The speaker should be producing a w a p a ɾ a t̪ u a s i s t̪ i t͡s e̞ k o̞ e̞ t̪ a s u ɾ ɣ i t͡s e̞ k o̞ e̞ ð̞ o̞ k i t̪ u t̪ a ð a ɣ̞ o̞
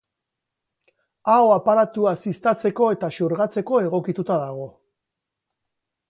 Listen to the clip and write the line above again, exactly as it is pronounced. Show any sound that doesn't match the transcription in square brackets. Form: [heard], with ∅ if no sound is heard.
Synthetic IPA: a w a p a ɾ a t̪ u a s i s t̪ [a] t͡s e̞ k o̞ e̞ t̪ a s u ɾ ɣ [a] t͡s e̞ k o̞ e̞ [ɣ̞] o̞ k i t̪ u t̪ a ð a ɣ̞ o̞